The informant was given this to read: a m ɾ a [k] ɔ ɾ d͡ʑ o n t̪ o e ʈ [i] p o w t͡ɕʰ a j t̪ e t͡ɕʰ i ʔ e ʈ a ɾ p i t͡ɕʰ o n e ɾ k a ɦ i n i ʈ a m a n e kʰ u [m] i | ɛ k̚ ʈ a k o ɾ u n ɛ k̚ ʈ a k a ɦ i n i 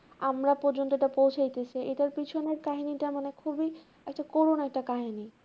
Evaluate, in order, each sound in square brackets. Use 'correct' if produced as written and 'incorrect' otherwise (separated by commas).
incorrect, incorrect, incorrect